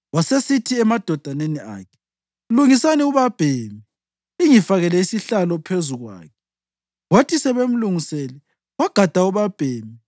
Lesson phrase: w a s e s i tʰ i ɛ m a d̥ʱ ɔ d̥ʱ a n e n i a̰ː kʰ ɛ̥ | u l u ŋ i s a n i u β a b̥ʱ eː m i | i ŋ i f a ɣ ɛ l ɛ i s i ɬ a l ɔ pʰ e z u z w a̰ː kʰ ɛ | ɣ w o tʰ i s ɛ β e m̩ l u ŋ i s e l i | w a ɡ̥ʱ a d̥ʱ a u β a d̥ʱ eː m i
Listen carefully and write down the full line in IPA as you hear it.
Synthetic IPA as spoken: w a s e s i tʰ i ɛ m a d̥ʱ ɔ d̥ʱ a n e n i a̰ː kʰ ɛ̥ | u l u ŋ i s a n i u β a b̥ʱ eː m i | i ŋ i f a ɣ ɛ l ɛ i s i ɬ a l ɔ pʰ e z u ɣ w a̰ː kʰ ɛ | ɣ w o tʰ i s ɛ β e m̩ l u ŋ i s e l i | w a ɡ̥ʱ a d̥ʱ a u β a b̥ʱ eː m i